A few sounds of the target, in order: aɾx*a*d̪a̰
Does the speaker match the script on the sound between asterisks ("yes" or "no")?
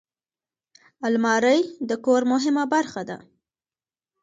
yes